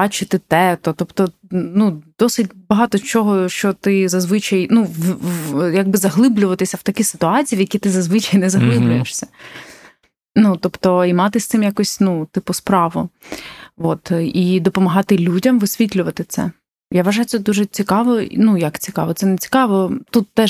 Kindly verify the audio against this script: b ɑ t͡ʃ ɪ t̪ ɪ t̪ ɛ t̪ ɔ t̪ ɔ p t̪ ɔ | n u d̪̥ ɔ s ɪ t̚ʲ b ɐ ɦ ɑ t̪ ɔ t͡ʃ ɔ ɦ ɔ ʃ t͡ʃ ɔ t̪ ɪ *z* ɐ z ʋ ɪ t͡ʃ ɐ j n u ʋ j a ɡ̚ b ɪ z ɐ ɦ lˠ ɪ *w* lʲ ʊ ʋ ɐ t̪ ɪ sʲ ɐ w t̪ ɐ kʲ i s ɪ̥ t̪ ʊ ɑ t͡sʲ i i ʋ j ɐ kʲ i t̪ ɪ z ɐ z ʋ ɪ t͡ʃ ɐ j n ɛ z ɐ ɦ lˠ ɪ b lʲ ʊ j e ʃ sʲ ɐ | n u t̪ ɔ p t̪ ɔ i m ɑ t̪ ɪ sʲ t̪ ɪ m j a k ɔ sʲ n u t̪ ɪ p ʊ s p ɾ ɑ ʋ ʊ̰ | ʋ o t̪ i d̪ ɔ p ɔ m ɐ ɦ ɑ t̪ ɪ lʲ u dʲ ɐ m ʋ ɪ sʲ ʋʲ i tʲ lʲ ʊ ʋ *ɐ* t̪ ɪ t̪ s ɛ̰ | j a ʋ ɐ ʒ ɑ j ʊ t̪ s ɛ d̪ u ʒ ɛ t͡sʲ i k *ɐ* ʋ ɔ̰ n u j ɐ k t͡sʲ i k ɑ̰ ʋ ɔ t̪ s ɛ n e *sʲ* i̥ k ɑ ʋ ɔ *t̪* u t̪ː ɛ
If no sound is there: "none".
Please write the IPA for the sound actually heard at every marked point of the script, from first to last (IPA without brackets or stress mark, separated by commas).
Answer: z, b, ɐ, ɑ, t͡sʲ, t̪